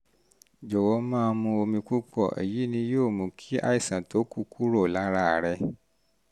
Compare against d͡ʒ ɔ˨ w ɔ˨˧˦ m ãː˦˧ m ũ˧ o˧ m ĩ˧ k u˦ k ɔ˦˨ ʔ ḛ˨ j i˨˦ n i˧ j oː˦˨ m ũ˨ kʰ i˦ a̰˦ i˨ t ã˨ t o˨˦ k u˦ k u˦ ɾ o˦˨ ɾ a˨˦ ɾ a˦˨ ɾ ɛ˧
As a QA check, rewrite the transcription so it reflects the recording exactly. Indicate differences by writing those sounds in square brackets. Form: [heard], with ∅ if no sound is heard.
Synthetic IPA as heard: d͡ʒ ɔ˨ w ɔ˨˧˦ m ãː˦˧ m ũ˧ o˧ m ĩ˧ k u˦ [k͡p] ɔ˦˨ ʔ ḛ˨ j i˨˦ n [ĩ˧] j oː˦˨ m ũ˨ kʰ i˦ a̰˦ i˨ [s] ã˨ t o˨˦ k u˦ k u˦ ɾ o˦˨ [l] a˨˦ ɾ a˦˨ ɾ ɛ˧